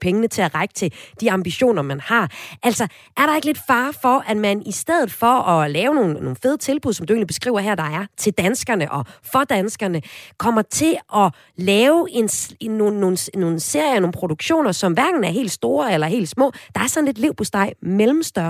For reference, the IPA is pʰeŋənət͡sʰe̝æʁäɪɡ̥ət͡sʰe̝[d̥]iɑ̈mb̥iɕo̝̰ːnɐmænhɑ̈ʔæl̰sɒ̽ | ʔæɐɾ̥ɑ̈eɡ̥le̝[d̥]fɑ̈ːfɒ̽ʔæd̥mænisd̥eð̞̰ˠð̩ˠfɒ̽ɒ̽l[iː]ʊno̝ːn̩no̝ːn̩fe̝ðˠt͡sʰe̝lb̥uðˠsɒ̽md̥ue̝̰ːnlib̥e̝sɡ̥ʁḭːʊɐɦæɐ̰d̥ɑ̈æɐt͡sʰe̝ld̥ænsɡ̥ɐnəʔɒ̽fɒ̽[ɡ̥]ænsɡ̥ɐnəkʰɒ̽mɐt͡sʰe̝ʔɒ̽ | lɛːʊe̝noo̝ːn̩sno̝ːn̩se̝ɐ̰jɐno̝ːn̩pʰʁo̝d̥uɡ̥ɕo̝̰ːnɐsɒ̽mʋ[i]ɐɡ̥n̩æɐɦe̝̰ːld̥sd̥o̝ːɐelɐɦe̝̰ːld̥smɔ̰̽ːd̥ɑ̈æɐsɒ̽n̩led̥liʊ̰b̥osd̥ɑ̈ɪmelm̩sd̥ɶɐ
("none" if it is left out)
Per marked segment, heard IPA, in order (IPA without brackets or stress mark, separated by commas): d̥, d̥, ɛː, d̥, æ